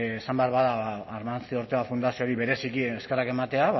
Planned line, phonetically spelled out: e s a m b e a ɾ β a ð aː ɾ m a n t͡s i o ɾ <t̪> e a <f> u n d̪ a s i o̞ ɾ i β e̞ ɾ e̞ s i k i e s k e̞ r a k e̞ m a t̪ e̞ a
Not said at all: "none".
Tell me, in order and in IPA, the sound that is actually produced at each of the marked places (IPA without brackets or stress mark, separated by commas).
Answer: t̪, f